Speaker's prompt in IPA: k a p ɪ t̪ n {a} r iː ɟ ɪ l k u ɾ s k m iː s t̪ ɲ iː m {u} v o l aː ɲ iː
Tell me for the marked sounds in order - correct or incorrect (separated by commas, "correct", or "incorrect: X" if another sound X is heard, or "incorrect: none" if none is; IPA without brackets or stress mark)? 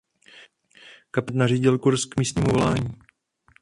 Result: correct, correct